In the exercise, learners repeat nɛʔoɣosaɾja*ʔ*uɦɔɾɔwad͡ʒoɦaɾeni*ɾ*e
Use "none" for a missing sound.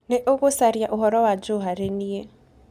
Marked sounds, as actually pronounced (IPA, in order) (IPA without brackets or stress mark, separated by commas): ʔ, none